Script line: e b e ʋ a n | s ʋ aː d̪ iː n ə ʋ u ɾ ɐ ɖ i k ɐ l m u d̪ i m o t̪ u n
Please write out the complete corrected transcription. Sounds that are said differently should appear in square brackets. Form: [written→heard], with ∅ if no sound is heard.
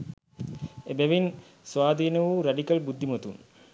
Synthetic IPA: e b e ʋ [a→i] n | s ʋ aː d̪ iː n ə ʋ u ɾ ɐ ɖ i k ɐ l [m→b] u [d̪→d̪ː] i m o t̪ u n